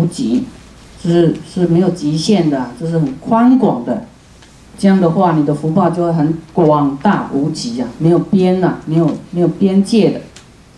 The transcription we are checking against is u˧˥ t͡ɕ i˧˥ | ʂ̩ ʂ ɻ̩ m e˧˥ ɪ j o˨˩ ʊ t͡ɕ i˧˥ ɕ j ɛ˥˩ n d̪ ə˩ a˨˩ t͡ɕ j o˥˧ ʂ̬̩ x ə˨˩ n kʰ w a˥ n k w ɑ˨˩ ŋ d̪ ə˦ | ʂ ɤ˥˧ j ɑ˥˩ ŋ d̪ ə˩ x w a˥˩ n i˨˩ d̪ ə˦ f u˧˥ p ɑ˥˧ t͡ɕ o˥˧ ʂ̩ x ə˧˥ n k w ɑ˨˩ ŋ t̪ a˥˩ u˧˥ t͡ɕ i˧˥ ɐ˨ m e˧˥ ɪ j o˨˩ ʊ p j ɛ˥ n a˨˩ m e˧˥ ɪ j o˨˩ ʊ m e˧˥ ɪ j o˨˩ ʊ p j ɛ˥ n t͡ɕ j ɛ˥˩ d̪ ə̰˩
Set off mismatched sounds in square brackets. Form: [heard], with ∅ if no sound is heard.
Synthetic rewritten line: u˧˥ t͡ɕ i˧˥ | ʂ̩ ʂ ɻ̩ m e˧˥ ɪ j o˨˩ ʊ t͡ɕ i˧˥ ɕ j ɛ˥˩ n d̪ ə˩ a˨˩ t͡ɕ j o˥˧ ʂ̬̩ x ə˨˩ n kʰ w a˥ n k w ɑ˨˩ ŋ d̪ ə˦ | [ʈ͡ʂ] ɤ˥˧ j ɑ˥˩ ŋ d̪ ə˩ x w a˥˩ n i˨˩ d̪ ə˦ f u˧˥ p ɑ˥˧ t͡ɕ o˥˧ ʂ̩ x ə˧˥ n k w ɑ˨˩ ŋ t̪ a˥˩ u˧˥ t͡ɕ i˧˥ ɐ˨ m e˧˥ ɪ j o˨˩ ʊ p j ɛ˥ n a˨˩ m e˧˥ ɪ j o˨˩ ʊ m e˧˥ ɪ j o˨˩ ʊ p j ɛ˥ n t͡ɕ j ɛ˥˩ d̪ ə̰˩